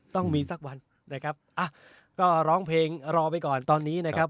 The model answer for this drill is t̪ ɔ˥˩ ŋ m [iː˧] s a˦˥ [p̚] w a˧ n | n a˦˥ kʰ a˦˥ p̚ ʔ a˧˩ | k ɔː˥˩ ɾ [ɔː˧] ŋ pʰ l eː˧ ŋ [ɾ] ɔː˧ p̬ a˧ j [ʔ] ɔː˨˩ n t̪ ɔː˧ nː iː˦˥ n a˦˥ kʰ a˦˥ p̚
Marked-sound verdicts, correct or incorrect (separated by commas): correct, incorrect, incorrect, correct, incorrect